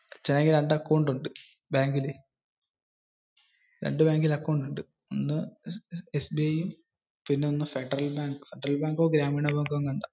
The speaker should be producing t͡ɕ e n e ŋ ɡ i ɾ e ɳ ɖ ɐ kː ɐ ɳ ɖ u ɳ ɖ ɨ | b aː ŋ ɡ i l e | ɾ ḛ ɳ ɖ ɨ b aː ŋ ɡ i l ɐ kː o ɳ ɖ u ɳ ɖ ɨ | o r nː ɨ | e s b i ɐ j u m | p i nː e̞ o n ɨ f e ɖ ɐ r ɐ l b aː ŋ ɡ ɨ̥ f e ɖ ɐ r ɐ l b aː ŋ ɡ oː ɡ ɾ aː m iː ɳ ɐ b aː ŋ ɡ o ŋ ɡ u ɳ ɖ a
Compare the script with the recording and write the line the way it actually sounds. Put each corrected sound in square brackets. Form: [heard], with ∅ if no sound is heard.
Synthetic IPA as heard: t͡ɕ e n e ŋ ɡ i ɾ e ɳ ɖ ɐ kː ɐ ɳ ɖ u ɳ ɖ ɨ | b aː ŋ ɡ i l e | ɾ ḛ ɳ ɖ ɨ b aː ŋ ɡ i l ɐ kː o ɳ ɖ u ɳ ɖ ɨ | o [∅] nː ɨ | e s b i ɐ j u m | p i nː e̞ o [nː] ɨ f e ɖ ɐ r ɐ l b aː ŋ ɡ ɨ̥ f e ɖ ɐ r ɐ l b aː ŋ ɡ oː ɡ ɾ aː m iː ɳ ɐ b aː ŋ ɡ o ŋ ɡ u ɳ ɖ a